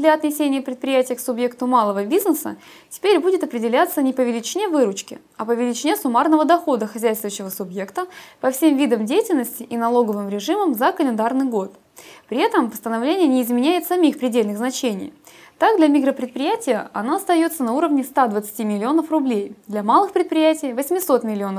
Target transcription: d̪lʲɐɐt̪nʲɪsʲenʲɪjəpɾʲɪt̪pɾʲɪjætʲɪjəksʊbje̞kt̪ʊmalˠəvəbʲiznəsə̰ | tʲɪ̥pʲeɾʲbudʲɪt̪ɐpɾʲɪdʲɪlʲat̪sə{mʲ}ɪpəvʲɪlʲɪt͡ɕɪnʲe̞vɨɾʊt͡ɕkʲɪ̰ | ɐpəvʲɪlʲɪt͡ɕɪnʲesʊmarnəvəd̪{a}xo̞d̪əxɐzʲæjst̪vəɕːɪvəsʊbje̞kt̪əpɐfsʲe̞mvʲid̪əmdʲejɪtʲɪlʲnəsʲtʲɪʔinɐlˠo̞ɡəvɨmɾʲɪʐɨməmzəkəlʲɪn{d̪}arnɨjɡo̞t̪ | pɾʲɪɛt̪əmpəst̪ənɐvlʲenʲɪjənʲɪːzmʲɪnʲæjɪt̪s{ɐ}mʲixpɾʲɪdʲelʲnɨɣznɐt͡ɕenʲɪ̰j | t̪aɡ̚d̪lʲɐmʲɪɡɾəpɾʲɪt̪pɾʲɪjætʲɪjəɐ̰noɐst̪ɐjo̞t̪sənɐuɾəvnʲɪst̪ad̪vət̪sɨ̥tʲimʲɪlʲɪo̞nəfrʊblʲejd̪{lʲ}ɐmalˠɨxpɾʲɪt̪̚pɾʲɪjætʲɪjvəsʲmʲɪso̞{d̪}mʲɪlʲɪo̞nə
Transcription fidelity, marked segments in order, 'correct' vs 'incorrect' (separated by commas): incorrect, incorrect, correct, correct, correct, incorrect